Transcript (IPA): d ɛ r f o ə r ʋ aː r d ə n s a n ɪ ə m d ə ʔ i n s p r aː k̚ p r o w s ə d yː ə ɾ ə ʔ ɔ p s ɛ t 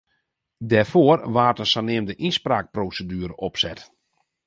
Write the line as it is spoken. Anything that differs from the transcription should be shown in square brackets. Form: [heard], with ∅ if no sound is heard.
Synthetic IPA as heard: d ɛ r f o ə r ʋ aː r [t] ə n s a n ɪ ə m d ə ʔ i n s p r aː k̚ p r o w s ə d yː ə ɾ ə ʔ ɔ p s ɛ t